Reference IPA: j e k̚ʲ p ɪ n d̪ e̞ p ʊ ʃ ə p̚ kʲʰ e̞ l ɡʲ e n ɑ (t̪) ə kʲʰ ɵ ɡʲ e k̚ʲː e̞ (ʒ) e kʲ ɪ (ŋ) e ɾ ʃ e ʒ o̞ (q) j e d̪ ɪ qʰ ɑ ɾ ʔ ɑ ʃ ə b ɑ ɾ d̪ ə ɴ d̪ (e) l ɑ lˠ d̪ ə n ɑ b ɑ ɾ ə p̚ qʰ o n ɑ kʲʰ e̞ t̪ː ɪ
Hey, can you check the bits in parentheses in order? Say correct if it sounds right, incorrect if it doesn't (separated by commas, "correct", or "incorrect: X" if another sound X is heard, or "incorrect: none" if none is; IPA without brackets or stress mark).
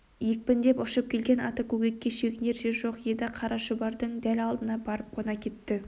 correct, incorrect: ʃ, incorrect: n, correct, incorrect: æ